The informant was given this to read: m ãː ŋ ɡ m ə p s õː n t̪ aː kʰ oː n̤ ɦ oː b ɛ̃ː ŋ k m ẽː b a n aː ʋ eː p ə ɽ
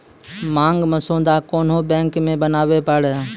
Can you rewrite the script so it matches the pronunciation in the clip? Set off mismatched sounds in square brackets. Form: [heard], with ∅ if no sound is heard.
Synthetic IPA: m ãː ŋ ɡ m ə [∅] s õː n [d̪] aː [k] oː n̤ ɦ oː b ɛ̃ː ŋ k m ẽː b [ə] n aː ʋ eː p ə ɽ